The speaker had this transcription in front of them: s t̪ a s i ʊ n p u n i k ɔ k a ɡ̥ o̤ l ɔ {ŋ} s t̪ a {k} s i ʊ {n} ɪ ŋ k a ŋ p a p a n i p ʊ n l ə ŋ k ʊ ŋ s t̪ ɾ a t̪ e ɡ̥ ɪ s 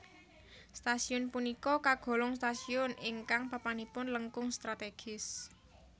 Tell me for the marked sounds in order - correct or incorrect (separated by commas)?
correct, incorrect, correct